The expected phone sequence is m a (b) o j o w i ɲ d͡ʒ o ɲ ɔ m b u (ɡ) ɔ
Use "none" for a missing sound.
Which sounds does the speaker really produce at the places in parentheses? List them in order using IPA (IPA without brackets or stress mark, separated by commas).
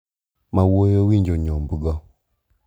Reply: w, ɡ